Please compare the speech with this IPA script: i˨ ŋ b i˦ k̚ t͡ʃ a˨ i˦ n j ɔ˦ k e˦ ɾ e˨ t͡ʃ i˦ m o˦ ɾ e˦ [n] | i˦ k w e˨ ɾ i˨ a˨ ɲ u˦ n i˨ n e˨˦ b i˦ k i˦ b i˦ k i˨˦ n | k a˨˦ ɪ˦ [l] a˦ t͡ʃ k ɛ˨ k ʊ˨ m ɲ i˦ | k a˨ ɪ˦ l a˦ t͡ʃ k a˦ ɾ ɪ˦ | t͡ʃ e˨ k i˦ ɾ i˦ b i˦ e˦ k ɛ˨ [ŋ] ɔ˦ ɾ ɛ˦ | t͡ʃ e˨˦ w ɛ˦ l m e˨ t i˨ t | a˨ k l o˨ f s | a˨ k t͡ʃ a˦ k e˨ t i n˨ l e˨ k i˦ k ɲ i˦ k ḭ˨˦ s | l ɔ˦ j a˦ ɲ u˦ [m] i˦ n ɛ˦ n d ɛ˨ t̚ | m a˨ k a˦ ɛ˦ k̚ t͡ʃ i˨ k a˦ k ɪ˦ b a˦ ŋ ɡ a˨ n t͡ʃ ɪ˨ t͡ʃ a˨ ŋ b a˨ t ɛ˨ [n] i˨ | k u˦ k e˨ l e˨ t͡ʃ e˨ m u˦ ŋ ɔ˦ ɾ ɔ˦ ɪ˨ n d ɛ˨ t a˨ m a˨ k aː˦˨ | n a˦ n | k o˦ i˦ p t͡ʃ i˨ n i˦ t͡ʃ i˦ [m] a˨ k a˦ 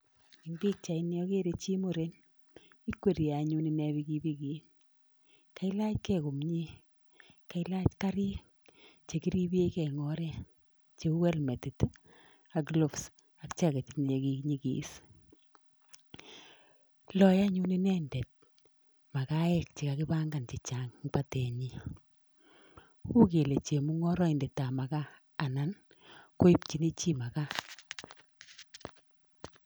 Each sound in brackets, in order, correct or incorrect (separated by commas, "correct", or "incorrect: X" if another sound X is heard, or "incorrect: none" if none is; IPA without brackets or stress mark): correct, correct, correct, incorrect: n, incorrect: ɲ, correct